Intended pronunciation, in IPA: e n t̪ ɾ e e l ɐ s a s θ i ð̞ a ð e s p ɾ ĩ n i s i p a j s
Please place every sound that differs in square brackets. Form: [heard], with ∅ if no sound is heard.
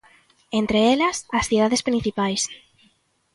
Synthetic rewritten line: e n t̪ ɾ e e l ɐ s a s θ i ð̞ a ð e s p ɾ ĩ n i [θ] i p a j s